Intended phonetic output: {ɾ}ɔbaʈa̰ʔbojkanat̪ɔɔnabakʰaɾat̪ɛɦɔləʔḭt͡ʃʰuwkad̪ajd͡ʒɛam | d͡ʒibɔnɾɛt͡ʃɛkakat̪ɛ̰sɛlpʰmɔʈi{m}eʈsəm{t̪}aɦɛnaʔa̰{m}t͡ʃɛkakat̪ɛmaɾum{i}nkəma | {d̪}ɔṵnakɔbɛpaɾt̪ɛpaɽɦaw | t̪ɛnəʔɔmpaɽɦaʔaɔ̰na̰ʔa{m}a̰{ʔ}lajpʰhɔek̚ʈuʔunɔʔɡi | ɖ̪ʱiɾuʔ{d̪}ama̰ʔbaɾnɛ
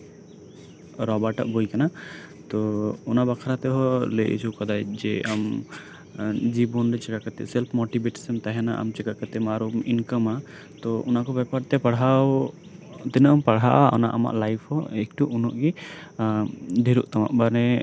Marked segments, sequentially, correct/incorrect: correct, incorrect: b, correct, correct, correct, incorrect: t̪, correct, correct, incorrect: t̪

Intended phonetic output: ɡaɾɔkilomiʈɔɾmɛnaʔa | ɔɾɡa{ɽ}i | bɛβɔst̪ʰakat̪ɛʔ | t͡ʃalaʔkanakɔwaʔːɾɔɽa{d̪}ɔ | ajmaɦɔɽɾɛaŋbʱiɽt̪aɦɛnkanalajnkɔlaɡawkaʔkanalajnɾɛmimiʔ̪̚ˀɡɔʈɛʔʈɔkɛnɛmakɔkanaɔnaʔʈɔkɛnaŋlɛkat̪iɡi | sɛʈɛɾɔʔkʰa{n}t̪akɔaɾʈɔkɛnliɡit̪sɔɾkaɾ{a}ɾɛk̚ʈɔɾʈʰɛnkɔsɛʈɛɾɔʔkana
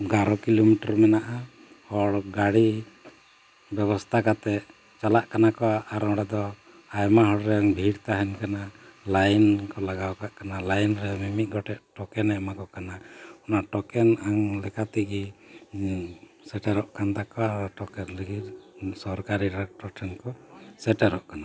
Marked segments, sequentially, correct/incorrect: correct, correct, correct, incorrect: i

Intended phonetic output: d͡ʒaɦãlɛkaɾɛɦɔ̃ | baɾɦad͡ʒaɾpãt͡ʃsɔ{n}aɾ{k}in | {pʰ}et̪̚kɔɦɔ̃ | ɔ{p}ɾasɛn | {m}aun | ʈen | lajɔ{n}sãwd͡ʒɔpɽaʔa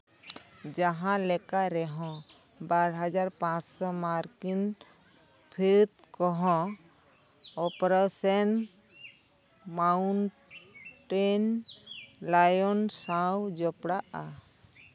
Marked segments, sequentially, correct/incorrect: incorrect: m, correct, correct, correct, correct, correct

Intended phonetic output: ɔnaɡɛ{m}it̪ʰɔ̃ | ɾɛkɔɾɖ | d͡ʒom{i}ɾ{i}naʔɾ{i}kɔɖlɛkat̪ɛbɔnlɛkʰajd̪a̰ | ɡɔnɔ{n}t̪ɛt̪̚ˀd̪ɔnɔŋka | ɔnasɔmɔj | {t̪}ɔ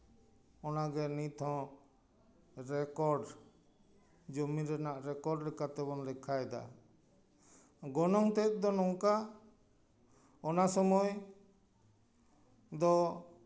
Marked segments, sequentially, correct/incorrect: incorrect: n, correct, incorrect: ɛ, incorrect: ɛ, incorrect: ŋ, incorrect: d̪

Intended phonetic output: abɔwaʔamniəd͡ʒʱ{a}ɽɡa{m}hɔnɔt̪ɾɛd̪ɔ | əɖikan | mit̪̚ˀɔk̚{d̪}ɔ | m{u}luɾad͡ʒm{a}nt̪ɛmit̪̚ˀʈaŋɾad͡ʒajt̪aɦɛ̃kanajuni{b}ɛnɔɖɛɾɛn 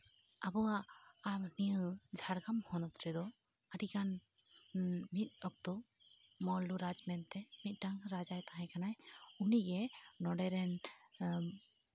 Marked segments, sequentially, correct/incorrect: correct, correct, incorrect: t̪, incorrect: ɔ, incorrect: ɛ, incorrect: ɡ

